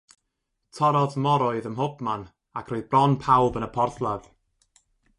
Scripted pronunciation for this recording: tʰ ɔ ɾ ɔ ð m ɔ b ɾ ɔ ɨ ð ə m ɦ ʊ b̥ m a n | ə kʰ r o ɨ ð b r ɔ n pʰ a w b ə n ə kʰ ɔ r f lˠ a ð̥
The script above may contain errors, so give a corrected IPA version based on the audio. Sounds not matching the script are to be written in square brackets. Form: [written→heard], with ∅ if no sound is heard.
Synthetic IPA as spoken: tʰ ɔ ɾ ɔ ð m ɔ [b→∅] ɾ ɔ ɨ ð ə m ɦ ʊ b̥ m a n | [ə→a] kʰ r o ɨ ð b r ɔ n pʰ a w b ə n ə [kʰ→pʰ] ɔ r [f→θ] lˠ a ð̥